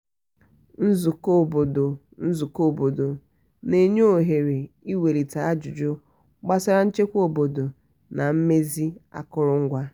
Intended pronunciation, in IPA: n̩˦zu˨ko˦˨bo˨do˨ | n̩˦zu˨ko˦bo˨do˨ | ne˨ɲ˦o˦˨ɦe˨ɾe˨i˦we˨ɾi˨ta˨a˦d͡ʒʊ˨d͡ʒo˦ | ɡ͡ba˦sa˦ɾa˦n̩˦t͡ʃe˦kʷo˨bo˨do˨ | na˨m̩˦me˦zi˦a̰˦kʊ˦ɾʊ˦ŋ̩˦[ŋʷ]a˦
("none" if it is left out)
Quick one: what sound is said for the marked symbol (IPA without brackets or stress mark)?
ɡʷ